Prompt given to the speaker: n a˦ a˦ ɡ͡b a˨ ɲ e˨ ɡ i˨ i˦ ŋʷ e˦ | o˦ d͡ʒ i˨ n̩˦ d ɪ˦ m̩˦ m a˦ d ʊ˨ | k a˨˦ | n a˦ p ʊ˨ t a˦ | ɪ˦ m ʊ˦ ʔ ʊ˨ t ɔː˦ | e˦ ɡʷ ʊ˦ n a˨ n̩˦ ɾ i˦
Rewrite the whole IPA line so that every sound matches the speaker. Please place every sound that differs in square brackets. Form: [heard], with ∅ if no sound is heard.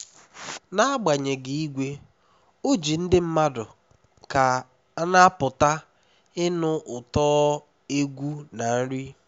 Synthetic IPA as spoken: n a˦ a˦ ɡ͡b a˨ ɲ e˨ ɡ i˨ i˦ [ɡʷ] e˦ | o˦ d͡ʒ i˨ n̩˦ d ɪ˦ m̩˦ m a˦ d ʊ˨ | k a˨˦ | n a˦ p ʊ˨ t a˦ | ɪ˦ [n] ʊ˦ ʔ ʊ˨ t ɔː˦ | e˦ ɡʷ [u˦] n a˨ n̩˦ ɾ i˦